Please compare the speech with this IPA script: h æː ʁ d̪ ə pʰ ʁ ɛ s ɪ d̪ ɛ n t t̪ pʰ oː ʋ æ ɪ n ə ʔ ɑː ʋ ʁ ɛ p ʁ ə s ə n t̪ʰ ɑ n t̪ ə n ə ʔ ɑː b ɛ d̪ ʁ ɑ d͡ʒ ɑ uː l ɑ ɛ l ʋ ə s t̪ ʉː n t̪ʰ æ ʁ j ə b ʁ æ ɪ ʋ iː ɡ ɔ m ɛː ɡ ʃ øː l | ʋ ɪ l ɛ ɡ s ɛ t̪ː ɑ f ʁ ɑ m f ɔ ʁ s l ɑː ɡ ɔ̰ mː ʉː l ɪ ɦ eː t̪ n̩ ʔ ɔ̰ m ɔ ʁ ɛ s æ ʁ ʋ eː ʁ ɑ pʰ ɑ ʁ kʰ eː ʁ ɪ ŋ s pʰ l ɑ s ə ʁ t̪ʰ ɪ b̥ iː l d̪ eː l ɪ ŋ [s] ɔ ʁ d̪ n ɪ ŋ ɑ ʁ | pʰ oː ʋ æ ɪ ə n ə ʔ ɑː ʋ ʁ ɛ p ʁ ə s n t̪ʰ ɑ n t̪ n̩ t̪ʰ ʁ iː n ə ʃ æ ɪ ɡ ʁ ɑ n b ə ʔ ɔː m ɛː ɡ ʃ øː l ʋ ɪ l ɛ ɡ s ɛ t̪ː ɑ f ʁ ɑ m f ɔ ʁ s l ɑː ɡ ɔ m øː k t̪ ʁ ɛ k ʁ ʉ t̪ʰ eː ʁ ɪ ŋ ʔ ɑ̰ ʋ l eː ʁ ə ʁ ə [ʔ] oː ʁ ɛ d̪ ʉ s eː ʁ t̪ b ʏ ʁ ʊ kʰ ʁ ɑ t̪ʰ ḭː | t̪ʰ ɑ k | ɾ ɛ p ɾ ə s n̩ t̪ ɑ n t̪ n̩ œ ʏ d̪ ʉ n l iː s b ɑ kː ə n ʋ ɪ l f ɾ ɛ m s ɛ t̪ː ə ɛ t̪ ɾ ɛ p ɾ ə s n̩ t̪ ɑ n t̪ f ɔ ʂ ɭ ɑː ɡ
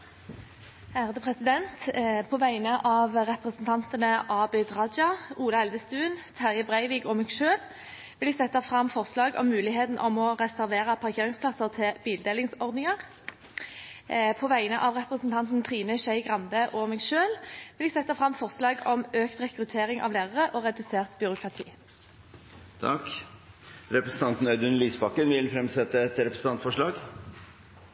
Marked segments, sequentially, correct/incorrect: correct, correct

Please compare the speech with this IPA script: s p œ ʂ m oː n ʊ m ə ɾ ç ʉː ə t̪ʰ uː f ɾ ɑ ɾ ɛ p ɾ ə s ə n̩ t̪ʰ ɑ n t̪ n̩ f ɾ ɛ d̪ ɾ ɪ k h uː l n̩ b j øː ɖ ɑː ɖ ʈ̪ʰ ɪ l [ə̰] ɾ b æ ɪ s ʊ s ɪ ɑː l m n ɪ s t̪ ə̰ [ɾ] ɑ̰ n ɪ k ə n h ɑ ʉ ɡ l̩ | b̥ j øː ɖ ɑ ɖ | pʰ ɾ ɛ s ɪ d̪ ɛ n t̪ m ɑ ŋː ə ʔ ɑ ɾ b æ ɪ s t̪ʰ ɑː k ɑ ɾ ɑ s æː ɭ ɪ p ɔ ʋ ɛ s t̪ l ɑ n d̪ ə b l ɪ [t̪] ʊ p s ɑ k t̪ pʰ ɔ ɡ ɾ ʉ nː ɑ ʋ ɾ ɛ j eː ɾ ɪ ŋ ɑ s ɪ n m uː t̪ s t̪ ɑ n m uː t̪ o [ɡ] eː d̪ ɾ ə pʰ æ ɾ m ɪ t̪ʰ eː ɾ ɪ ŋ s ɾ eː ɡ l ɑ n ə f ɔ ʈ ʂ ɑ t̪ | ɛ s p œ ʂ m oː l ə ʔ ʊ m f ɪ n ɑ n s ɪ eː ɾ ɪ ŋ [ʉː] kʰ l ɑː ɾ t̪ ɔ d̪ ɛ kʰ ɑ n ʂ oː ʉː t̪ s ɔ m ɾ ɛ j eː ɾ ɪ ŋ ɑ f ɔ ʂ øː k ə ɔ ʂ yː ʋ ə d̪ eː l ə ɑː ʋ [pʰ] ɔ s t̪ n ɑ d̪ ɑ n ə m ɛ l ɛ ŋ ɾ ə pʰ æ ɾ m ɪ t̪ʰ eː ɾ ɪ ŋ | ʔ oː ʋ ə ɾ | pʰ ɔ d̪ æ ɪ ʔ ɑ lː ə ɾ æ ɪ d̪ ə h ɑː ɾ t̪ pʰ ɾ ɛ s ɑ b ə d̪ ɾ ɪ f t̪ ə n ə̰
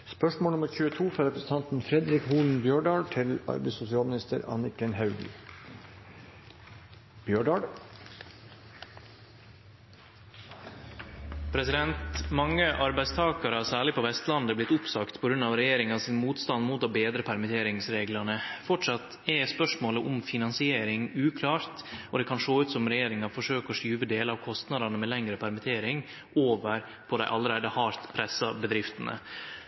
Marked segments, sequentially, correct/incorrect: incorrect: ɑ̰, correct, correct, incorrect: b, correct, incorrect: kʰ

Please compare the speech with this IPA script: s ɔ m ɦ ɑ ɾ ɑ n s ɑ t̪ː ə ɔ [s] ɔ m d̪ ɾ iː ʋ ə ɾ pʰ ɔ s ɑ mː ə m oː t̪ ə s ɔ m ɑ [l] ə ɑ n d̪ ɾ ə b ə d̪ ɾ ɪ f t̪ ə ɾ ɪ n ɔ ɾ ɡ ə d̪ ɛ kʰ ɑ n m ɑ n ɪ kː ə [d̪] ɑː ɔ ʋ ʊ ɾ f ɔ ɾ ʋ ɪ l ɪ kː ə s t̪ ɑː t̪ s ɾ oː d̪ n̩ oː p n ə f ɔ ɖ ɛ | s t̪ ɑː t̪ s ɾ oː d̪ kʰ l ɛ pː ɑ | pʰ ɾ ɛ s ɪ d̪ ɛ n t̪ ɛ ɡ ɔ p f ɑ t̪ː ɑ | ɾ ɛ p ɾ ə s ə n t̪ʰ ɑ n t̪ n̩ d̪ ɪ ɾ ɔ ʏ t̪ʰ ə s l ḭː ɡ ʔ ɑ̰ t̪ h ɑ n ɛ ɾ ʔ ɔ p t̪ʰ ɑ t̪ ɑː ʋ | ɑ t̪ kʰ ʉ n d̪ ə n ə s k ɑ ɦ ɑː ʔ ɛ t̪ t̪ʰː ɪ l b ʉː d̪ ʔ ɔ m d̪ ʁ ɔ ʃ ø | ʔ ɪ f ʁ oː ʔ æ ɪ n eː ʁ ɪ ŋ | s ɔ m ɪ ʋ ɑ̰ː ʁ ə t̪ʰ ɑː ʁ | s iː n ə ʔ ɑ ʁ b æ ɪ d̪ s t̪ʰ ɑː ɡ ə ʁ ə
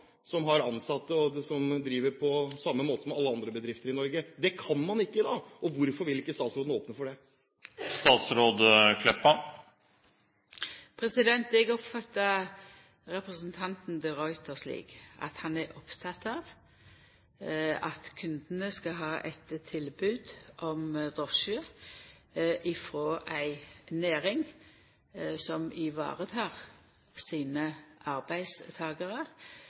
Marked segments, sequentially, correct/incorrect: correct, incorrect: lː, correct

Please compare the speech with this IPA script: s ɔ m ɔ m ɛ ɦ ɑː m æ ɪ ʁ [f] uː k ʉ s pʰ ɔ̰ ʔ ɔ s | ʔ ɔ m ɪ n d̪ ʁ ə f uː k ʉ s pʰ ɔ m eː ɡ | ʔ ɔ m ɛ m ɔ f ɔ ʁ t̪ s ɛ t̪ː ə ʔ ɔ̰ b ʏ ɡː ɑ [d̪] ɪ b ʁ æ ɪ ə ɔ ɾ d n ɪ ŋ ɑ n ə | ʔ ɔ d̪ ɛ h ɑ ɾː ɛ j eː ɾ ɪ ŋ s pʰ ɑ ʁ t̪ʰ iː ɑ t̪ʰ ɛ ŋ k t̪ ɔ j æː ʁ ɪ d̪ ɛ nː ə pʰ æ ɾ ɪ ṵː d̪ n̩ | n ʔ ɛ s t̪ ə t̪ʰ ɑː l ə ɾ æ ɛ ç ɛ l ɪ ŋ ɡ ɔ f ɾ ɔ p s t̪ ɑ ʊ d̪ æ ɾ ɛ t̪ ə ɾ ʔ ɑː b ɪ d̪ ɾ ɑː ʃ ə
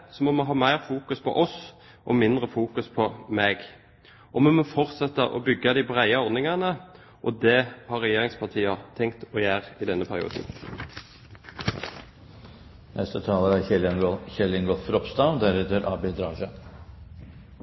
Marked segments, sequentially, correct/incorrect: correct, correct

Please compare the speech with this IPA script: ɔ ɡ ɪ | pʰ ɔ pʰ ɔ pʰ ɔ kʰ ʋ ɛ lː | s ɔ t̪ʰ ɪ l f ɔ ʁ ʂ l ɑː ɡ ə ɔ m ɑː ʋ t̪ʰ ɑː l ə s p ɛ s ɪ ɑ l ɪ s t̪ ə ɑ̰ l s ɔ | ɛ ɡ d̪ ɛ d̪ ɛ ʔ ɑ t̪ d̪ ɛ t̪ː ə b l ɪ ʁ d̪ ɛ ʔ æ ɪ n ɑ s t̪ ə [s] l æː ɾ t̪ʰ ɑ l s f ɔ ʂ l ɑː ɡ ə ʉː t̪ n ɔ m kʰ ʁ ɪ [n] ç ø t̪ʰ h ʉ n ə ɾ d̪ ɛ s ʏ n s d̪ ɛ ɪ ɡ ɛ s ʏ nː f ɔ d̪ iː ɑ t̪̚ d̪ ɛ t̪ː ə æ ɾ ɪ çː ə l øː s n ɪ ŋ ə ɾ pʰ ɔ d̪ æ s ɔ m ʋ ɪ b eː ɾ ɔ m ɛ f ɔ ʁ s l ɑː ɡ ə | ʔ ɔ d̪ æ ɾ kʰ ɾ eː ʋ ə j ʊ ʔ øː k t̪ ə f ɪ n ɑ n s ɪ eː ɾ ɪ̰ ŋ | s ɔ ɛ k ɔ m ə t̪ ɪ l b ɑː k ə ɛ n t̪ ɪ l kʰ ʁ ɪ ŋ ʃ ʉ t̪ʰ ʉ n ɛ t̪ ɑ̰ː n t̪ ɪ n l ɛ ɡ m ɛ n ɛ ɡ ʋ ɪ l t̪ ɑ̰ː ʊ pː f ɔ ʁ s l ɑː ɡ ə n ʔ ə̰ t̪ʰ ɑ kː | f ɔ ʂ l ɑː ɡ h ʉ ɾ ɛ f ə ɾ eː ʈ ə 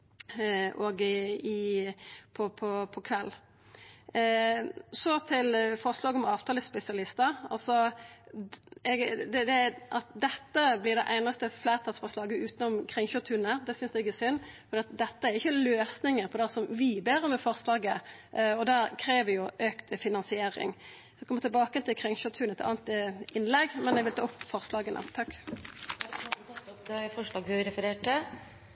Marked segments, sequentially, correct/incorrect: incorrect: f, incorrect: ŋ

